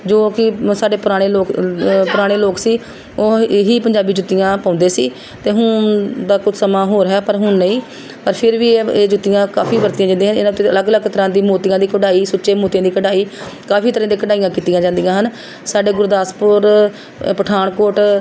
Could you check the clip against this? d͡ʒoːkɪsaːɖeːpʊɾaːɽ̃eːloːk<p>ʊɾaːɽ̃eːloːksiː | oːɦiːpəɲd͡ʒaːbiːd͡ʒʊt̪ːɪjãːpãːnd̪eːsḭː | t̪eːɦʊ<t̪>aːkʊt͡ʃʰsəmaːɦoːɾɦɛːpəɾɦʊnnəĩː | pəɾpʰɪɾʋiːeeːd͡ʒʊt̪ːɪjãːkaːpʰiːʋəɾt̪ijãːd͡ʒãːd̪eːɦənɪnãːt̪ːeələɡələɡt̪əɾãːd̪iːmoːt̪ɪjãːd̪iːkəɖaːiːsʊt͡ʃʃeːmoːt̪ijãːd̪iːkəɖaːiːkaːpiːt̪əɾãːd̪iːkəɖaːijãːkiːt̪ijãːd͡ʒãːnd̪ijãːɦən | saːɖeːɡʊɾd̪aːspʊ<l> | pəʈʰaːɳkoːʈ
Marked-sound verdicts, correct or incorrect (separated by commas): correct, incorrect, incorrect